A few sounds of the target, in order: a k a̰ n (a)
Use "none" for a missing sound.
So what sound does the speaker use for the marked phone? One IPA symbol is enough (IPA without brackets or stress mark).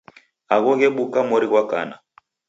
a